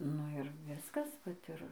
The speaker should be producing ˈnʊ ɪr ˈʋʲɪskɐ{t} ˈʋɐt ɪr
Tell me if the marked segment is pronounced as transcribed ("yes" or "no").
no